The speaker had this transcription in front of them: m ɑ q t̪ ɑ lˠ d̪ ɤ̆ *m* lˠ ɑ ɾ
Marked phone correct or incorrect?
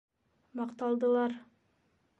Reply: incorrect